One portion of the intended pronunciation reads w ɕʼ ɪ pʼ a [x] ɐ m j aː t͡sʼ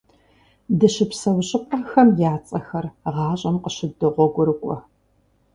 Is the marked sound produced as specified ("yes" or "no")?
yes